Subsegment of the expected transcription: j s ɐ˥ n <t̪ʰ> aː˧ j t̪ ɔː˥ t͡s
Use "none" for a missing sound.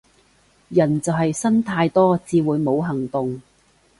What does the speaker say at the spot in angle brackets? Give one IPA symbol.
t̪ʰ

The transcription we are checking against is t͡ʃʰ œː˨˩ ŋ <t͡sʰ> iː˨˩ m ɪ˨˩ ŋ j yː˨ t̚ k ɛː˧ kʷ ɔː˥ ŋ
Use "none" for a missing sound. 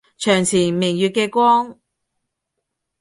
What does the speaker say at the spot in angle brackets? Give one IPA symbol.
t͡sʰ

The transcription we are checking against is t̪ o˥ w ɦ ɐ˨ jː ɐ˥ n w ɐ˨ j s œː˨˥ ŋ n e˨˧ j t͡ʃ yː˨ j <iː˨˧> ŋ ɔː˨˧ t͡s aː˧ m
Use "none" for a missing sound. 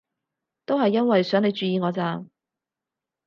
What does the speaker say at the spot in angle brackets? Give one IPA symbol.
iː˨˧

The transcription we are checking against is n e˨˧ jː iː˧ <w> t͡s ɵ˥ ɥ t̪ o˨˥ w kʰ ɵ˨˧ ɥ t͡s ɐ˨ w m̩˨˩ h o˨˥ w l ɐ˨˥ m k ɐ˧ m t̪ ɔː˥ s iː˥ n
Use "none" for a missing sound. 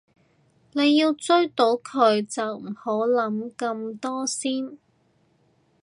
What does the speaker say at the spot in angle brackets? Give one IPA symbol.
w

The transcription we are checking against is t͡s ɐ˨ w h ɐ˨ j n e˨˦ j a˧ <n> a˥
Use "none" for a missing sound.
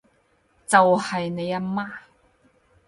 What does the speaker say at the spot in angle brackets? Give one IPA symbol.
m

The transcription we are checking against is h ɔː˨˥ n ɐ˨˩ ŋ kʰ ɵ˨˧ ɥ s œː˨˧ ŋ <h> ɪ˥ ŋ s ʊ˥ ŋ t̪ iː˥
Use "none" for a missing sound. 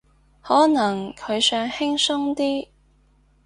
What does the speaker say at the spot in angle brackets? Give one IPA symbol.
h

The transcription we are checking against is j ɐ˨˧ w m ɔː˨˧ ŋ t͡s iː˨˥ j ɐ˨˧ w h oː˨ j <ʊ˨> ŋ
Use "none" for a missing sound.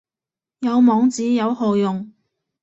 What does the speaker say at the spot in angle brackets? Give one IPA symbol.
ʊ˨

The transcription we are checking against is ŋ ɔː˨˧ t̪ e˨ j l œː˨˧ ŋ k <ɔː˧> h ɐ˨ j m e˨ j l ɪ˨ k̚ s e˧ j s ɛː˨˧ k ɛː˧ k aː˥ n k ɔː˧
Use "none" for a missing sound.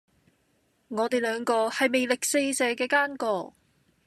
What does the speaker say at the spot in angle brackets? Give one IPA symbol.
ɔː˧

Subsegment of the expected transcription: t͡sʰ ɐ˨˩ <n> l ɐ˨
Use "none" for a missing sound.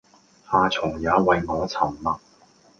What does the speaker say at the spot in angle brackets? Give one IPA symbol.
m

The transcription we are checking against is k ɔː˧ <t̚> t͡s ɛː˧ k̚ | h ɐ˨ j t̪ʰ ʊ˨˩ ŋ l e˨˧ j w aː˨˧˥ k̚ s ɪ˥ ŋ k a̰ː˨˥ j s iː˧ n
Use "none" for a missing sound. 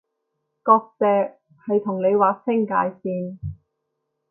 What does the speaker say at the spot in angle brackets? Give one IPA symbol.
k̚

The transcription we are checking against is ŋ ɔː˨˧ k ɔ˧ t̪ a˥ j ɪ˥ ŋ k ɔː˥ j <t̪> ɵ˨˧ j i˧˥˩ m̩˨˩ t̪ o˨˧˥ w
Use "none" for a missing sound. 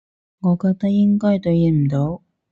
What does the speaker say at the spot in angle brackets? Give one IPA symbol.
t̪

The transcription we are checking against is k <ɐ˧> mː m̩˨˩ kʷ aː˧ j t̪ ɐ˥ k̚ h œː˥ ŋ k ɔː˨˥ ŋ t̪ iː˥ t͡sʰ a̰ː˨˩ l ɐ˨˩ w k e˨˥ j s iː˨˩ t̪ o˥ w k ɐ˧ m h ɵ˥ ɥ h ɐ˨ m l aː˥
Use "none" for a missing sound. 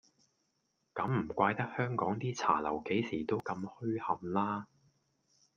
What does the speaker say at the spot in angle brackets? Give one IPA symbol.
ɐ˨˥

